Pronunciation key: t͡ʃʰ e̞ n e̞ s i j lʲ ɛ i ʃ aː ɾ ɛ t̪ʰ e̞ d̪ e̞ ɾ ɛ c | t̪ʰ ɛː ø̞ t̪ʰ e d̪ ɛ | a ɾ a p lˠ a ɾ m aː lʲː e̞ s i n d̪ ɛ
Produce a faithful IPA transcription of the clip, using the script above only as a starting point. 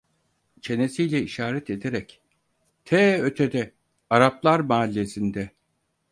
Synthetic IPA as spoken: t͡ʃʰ e̞ n e̞ s i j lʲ ɛ i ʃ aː ɾ ɛ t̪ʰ e̞ d̪ e̞ ɾ ɛ c | t̪ʰ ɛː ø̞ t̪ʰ e d̪ ɛ | a ɾ a p lˠ a ɾ m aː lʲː e̞ s i n d̪ ɛ